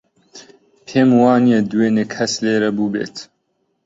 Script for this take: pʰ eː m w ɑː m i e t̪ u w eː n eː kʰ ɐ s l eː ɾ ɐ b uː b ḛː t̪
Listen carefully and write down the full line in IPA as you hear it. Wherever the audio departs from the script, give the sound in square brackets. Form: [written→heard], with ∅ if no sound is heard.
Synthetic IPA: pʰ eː m w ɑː [m→n] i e [t̪→d̪] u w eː n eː kʰ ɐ s l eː ɾ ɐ b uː b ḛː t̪